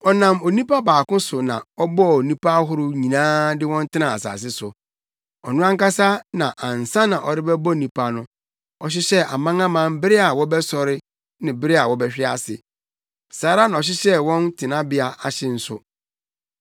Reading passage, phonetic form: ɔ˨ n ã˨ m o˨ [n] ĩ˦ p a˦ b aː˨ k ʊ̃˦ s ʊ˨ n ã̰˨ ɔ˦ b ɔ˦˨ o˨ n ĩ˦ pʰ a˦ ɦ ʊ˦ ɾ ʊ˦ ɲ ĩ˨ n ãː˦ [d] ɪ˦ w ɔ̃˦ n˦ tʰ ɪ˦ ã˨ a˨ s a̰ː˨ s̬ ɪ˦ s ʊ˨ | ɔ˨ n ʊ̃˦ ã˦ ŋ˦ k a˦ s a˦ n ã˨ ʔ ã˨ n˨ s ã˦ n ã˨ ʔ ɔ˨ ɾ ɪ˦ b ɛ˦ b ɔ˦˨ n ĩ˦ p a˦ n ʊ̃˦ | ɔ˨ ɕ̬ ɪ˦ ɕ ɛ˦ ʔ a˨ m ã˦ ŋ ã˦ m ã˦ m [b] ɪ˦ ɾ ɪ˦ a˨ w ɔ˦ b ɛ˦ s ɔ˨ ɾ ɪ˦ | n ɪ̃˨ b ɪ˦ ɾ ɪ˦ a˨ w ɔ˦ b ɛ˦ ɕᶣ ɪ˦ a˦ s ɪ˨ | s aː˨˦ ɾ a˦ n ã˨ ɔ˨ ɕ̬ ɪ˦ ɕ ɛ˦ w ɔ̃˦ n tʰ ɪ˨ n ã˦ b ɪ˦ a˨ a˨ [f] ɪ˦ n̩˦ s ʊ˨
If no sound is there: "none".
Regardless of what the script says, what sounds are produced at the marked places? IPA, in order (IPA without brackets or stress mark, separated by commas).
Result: n, d, b, ɕ